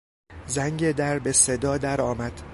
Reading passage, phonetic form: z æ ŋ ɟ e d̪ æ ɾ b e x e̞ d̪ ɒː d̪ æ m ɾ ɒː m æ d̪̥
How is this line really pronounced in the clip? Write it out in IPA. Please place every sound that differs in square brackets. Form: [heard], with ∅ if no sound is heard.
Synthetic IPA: z æ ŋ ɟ e d̪ æ ɾ b e [s] e̞ d̪ ɒː d̪ æ [∅] ɾ ɒː m æ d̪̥